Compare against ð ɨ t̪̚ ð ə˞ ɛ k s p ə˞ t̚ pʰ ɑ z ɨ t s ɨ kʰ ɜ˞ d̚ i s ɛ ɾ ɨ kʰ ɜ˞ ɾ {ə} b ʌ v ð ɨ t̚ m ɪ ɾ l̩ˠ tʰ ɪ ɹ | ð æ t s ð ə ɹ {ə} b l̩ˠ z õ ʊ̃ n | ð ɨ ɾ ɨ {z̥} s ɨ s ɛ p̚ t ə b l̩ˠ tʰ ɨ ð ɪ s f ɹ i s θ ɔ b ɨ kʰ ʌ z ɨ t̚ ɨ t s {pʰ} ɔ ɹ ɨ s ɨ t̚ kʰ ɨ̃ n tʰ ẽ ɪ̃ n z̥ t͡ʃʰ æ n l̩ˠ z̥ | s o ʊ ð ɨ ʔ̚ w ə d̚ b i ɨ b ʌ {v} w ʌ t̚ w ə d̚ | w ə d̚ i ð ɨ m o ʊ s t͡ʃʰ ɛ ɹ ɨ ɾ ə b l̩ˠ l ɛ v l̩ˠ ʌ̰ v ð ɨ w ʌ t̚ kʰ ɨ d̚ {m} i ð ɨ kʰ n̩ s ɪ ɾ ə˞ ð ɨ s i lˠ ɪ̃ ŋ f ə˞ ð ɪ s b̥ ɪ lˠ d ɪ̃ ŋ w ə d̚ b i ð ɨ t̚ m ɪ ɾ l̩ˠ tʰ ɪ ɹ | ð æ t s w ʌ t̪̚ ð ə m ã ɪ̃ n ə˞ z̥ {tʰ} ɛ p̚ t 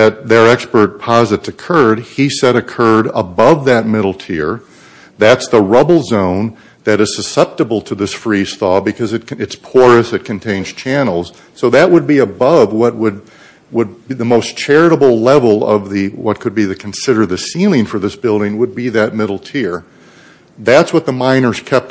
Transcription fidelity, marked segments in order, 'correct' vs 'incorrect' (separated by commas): correct, incorrect, correct, correct, correct, incorrect, incorrect